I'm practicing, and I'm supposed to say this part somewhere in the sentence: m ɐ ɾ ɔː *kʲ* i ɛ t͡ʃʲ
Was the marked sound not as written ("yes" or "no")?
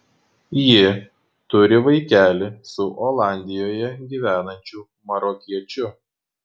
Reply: no